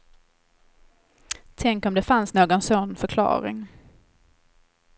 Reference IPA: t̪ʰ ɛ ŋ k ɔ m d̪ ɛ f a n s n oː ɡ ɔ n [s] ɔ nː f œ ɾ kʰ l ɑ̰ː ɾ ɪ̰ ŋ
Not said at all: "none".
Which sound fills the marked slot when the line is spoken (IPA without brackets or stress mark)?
s